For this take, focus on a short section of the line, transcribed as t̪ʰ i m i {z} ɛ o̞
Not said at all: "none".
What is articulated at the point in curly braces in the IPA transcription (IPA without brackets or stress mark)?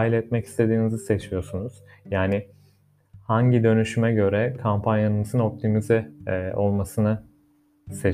z